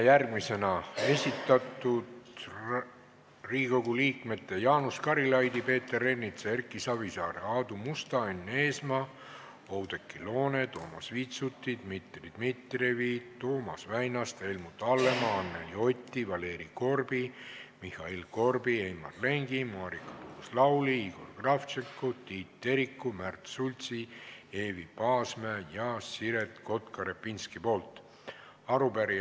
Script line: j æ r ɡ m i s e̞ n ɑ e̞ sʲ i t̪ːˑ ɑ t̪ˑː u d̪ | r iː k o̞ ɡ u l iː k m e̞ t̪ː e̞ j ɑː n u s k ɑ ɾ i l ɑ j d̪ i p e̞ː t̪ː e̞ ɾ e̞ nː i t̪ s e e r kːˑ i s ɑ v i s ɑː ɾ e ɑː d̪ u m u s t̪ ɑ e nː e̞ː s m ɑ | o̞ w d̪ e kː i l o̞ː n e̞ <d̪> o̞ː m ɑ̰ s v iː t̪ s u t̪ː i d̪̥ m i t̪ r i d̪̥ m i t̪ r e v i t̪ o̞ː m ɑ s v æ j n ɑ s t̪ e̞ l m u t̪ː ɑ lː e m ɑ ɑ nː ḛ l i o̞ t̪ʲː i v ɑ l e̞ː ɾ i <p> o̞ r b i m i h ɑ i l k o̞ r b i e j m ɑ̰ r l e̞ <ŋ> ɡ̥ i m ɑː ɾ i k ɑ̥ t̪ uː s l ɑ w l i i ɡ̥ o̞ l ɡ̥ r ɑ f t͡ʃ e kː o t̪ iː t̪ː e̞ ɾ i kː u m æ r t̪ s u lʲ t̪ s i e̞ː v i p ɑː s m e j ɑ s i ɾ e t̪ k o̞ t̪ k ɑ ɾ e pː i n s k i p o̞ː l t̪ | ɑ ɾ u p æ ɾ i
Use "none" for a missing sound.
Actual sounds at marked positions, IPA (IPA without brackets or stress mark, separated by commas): t̪, k, ŋ